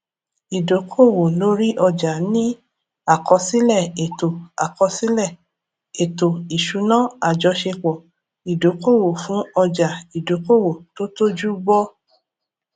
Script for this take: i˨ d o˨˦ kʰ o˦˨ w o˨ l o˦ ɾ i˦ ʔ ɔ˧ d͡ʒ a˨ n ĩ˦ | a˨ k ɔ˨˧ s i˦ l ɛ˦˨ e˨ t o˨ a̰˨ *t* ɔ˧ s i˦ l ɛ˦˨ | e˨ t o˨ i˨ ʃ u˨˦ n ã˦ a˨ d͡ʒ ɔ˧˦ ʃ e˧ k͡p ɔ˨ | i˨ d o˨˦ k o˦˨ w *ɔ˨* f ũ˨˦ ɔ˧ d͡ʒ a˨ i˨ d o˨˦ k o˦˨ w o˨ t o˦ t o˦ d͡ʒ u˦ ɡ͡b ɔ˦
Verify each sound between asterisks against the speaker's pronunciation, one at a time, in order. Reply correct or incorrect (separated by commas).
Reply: incorrect, incorrect